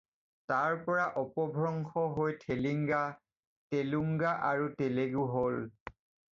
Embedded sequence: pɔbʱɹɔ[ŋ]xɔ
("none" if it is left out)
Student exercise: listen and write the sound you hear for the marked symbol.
ŋ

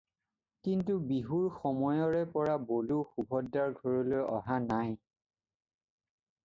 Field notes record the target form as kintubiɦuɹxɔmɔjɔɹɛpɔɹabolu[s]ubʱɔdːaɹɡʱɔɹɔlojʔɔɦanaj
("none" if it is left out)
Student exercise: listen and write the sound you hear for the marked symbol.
x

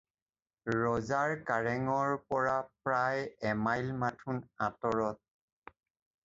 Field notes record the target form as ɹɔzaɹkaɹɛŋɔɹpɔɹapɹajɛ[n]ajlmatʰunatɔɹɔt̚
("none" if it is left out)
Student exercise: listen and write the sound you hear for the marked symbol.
m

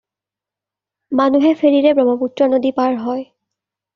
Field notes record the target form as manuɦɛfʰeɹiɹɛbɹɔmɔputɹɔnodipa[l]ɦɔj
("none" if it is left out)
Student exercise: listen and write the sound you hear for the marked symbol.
ɹ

